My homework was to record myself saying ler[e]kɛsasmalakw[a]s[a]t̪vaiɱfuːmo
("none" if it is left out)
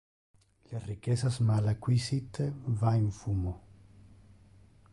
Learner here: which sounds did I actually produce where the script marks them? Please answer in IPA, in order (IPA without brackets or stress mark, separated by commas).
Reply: i, i, i